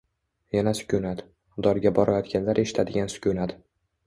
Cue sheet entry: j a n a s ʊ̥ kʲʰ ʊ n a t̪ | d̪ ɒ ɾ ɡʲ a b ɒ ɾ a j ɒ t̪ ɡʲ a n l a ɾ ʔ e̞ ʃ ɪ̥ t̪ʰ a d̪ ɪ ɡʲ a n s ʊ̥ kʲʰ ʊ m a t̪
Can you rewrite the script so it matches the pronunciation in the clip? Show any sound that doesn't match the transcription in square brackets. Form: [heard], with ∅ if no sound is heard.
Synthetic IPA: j a n a s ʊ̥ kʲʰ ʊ n a t̪ | d̪ ɒ ɾ ɡʲ a b ɒ ɾ a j ɒ t̪ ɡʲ a n l a ɾ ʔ e̞ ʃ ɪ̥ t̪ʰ a d̪ ɪ ɡʲ a n s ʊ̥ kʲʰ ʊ [n] a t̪